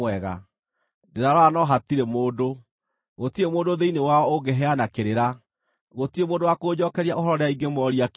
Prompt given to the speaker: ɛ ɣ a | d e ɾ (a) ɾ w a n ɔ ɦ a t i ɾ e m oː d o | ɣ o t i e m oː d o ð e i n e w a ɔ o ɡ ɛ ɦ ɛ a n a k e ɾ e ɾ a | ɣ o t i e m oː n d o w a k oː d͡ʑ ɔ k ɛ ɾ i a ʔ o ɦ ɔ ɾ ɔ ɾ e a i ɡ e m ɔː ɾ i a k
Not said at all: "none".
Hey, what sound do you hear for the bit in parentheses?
a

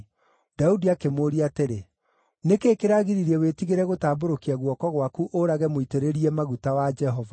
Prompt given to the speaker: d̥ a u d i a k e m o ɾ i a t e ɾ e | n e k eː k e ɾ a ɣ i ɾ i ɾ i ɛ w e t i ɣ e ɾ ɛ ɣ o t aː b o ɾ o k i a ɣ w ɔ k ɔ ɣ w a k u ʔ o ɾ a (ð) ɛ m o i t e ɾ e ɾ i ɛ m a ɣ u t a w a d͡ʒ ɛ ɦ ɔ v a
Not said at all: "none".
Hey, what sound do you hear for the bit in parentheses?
ɣ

